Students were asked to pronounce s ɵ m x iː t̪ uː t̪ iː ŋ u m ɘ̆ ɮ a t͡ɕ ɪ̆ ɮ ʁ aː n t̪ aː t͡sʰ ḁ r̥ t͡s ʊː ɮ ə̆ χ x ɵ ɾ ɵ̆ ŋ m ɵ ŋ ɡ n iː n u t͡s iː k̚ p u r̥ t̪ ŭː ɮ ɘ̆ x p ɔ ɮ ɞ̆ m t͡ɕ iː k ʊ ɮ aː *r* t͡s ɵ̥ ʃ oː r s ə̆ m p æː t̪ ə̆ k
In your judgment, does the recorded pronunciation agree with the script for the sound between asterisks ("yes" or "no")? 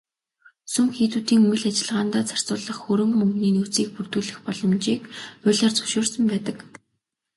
yes